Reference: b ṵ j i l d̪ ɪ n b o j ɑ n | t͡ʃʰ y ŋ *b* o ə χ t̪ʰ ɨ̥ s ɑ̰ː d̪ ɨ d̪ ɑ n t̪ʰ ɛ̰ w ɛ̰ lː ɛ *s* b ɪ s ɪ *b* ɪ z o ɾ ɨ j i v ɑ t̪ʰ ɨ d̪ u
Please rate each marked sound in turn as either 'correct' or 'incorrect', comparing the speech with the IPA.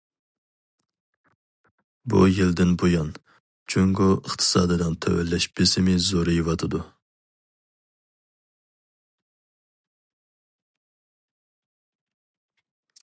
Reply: incorrect, incorrect, incorrect

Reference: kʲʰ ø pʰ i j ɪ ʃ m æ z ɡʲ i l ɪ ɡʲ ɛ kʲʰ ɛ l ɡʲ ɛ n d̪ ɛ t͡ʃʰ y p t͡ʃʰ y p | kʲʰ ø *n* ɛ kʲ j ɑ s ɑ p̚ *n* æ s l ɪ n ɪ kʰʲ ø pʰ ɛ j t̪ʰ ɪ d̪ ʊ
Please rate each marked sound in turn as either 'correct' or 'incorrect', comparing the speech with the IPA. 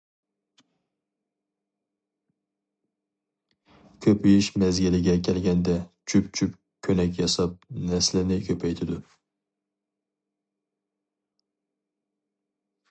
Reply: correct, correct

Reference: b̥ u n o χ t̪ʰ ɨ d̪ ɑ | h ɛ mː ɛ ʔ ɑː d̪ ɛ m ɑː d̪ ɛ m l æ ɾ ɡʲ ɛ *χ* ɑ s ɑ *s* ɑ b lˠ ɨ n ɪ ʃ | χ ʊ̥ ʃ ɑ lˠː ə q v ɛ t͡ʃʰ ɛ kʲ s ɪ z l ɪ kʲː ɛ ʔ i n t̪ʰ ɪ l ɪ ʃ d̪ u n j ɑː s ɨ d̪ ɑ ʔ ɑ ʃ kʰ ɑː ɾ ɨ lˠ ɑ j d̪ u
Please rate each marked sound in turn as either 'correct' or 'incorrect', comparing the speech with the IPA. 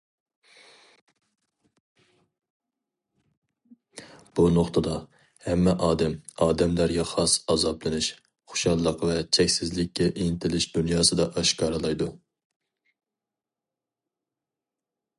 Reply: correct, incorrect

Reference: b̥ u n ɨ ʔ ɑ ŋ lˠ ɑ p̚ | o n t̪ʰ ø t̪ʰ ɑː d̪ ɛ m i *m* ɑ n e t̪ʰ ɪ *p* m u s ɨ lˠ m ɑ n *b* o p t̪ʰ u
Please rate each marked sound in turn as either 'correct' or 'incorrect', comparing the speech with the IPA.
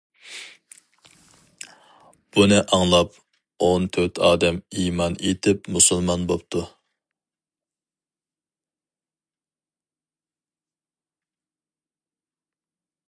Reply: correct, correct, correct

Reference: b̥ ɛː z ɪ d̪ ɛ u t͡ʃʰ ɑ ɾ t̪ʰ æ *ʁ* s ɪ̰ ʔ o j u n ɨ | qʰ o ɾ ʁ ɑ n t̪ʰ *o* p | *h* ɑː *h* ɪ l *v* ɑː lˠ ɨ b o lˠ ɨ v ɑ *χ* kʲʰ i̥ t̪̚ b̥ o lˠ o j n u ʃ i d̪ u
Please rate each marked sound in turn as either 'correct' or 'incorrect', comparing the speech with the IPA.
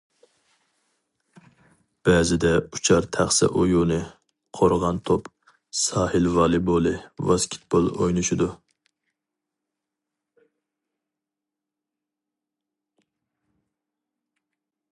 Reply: incorrect, correct, incorrect, correct, correct, incorrect

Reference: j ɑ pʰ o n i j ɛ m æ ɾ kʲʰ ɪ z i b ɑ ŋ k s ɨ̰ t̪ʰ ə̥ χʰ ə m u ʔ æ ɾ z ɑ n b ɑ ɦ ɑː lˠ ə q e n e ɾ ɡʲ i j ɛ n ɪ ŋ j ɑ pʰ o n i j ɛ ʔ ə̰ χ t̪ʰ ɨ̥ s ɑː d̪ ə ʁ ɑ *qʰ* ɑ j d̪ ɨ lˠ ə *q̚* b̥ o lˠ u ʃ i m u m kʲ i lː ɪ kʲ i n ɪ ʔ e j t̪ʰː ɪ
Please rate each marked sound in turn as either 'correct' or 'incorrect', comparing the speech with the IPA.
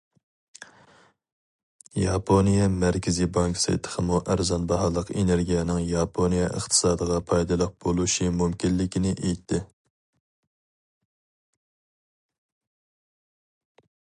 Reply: incorrect, correct

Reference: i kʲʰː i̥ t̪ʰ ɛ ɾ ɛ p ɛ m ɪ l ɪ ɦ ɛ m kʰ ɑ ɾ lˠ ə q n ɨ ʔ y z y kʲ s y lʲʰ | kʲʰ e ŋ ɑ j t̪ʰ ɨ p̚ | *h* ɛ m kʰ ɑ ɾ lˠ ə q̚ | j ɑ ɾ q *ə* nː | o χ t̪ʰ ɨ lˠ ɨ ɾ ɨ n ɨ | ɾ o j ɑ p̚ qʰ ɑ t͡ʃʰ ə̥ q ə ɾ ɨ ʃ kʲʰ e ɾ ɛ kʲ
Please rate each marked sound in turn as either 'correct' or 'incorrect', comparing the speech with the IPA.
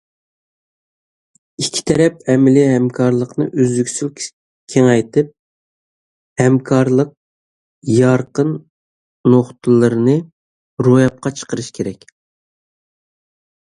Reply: correct, correct

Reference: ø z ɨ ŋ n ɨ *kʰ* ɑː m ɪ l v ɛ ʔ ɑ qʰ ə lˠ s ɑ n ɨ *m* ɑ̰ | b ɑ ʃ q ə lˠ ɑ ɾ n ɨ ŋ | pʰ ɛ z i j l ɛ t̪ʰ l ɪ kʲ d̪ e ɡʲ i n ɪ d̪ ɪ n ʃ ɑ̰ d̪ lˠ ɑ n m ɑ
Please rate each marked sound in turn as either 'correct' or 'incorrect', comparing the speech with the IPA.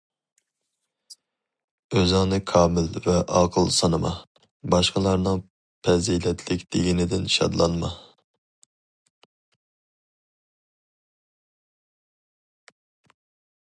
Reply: correct, correct

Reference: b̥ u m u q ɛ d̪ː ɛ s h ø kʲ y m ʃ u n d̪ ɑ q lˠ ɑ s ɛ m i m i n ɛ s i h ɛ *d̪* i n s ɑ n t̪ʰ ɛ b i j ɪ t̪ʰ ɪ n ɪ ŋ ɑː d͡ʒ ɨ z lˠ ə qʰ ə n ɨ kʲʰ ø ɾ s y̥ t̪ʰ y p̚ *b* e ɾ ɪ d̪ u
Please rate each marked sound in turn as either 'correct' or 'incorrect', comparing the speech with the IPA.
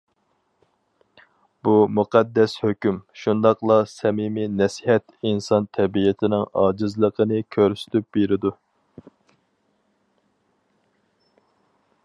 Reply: incorrect, correct

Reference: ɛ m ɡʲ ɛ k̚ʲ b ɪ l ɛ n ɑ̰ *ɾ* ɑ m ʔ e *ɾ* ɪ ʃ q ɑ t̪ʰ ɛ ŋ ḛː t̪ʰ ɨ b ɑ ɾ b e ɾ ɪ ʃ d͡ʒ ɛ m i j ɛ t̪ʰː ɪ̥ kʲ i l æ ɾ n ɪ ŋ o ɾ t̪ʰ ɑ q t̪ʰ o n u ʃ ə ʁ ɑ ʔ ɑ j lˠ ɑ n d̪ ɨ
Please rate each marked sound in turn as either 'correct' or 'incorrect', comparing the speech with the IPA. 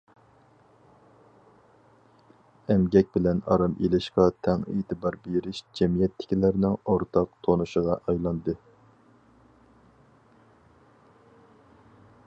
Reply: correct, incorrect

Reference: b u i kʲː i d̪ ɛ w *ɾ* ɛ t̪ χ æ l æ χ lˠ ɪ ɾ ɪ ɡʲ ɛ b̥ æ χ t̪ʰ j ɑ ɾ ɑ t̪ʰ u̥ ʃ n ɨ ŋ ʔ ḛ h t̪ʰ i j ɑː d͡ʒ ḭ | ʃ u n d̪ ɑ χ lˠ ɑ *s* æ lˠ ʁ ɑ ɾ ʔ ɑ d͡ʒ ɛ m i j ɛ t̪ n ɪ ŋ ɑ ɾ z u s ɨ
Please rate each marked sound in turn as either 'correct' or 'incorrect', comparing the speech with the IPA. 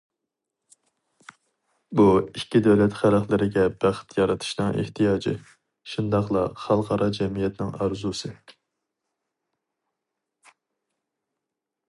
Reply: incorrect, incorrect

